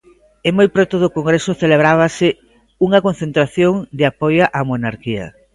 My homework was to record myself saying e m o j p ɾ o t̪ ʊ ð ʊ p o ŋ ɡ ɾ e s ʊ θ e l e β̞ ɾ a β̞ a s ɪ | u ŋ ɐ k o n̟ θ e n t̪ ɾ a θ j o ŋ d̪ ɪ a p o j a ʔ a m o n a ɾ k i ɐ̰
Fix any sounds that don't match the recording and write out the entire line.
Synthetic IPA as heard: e m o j p ɾ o t̪ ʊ ð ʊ k o ŋ ɡ ɾ e s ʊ θ e l e β̞ ɾ a β̞ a s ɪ | u ŋ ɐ k o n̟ θ e n t̪ ɾ a θ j o ŋ d̪ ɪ a p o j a ʔ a m o n a ɾ k i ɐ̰